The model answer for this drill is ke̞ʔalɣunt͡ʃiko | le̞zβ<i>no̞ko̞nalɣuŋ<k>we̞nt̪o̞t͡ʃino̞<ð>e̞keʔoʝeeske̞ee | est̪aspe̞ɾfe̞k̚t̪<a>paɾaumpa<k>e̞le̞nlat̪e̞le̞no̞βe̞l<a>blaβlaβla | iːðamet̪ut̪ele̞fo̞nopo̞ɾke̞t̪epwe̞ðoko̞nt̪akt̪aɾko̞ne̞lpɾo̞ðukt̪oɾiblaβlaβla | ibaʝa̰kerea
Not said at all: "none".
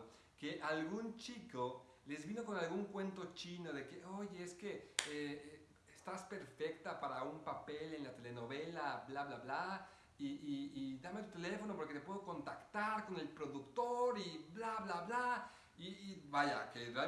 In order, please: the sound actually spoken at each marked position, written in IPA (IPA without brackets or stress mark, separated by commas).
i, k, ð, a, p, a